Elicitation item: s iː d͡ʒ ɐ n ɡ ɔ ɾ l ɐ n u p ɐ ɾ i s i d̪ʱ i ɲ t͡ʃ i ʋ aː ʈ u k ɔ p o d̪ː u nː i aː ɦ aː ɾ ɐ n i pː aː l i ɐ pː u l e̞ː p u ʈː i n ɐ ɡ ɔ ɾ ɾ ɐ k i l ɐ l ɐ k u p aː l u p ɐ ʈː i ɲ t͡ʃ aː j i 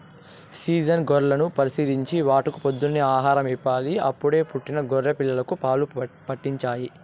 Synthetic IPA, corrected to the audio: s iː d͡ʒ ɐ n ɡ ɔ ɾ l ɐ n u p ɐ ɾ i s i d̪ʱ i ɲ t͡ʃ i ʋ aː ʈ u k u p o d̪ː u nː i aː ɦ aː ɾ ɐ m i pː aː l i ɐ pː u ɽ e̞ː p u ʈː i n ɐ ɡ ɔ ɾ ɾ ɐ p i lː ɐ l ɐ k u p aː l u p ɐ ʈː i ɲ t͡ʃ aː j i